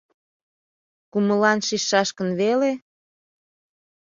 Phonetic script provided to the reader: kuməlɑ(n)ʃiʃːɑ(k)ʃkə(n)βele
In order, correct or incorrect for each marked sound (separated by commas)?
correct, incorrect, correct